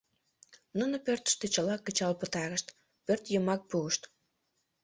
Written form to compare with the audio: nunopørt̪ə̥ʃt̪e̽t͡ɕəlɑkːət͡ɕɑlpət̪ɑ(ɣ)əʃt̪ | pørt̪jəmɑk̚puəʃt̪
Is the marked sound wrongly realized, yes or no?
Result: no